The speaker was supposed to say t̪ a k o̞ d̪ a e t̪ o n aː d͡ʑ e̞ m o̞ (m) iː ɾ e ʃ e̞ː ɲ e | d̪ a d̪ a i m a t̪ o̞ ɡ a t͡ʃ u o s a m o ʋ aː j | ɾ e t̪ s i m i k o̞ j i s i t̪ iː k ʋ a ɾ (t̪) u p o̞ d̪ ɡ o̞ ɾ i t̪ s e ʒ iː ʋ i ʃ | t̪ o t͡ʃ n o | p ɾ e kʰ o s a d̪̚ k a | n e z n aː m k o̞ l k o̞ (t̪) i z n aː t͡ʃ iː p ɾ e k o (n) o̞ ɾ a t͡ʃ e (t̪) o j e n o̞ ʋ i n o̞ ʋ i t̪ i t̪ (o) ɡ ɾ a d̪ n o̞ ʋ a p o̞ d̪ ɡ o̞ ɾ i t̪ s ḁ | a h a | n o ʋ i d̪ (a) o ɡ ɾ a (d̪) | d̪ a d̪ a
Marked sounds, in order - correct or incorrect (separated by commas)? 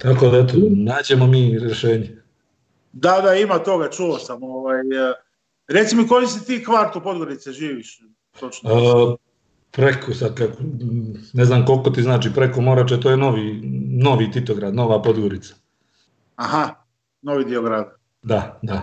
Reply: correct, correct, correct, incorrect, correct, correct, incorrect, correct